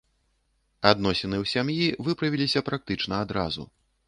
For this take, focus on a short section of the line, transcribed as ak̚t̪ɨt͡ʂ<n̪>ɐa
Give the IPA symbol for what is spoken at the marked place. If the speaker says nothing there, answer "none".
n̪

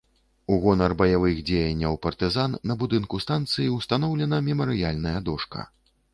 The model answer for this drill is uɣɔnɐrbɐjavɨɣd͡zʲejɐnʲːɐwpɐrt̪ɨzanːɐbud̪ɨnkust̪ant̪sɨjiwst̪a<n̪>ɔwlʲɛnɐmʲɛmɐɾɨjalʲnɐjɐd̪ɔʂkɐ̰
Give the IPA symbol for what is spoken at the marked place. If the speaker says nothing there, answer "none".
n̪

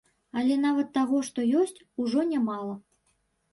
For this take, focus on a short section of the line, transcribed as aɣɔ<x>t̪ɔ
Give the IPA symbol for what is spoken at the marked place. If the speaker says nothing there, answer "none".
ʂ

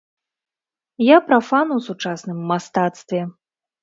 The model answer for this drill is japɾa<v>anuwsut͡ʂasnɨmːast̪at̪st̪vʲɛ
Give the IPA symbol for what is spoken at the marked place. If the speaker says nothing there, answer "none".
f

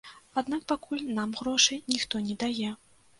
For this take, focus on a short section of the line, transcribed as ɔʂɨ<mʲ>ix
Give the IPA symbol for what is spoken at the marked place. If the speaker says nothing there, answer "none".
nʲ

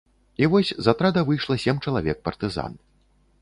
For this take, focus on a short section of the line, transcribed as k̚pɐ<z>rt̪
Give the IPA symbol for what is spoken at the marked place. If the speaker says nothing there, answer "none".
none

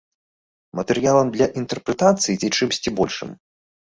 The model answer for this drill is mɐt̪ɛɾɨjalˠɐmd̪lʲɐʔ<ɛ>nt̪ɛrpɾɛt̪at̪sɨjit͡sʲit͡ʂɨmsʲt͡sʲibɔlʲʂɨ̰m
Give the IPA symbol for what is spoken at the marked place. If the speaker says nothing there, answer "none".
i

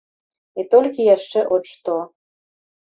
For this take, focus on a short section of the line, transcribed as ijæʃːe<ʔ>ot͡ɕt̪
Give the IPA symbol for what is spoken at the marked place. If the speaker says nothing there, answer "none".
ʔ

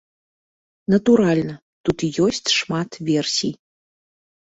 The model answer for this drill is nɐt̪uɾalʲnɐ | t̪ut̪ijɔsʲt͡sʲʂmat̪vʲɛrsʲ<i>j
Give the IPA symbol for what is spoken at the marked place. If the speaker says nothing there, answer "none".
i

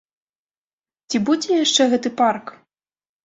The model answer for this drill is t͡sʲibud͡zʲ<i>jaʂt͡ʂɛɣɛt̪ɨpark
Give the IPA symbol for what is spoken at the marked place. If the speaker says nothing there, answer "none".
ɛ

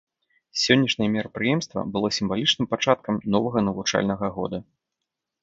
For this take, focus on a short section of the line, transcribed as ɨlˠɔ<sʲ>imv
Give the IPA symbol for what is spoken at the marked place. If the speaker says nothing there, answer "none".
sʲ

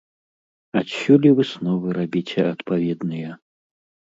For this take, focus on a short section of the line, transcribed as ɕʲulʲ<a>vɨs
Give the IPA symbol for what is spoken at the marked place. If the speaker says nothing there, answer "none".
i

